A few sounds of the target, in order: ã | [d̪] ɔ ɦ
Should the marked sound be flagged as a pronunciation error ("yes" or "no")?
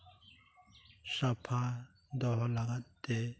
no